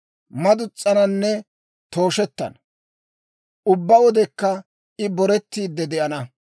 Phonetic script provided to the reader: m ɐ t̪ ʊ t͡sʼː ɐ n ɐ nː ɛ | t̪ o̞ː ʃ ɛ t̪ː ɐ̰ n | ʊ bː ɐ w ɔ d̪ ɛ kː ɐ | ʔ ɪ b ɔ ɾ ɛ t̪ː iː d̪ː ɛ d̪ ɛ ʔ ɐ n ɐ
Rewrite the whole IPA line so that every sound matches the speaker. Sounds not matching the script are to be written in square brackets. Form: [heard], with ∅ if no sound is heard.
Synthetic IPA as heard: m ɐ [d̪] ʊ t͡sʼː ɐ n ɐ nː ɛ | t̪ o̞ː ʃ ɛ t̪ː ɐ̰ n | ʊ bː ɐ w ɔ d̪ ɛ kː ɐ | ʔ ɪ b ɔ ɾ ɛ t̪ː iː d̪ː ɛ d̪ ɛ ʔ ɐ n ɐ